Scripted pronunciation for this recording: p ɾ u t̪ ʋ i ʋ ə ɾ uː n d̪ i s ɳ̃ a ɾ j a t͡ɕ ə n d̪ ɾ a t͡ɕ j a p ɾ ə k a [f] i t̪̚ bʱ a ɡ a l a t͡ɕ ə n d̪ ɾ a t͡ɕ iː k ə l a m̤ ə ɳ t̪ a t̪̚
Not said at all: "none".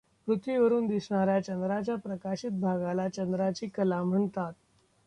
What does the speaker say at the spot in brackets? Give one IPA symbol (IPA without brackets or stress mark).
ɕ